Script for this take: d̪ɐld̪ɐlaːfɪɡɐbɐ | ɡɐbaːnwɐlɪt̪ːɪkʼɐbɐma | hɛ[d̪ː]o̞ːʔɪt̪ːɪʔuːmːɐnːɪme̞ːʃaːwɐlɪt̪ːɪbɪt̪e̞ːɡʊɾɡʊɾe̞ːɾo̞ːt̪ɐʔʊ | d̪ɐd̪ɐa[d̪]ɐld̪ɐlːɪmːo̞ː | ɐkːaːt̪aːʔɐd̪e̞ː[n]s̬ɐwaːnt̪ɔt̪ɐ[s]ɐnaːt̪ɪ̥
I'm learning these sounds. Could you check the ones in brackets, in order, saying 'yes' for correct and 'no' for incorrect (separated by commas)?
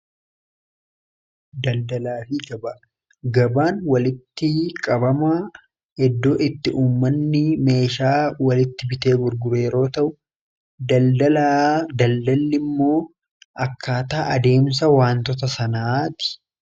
yes, yes, no, yes